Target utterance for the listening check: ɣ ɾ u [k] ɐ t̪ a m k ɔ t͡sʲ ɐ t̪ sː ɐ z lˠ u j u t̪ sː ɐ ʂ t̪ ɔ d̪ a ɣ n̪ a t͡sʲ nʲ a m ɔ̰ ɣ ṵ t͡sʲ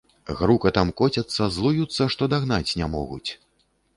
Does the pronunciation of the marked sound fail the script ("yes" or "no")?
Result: no